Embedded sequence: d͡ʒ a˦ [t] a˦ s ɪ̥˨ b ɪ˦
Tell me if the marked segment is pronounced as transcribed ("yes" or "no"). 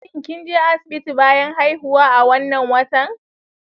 no